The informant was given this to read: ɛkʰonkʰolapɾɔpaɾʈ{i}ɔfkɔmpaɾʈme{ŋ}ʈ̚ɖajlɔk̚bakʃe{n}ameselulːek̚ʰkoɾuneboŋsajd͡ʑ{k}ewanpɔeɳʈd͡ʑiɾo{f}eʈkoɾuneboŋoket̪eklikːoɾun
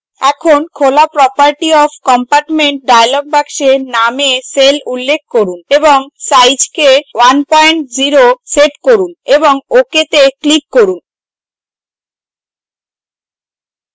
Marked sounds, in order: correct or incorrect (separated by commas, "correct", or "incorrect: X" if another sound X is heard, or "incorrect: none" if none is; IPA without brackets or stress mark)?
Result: correct, incorrect: ɳ, correct, correct, incorrect: s